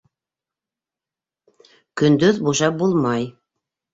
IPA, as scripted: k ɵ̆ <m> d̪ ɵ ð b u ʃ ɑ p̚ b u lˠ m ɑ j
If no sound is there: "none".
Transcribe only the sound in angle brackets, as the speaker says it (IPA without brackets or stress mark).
n